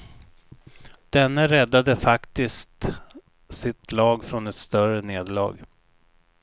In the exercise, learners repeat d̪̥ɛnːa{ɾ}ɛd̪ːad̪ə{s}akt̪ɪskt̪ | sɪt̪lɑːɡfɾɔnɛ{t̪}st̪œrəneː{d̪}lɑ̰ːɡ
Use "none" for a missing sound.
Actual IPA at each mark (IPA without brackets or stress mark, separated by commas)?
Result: ɾ, f, t̪, d̪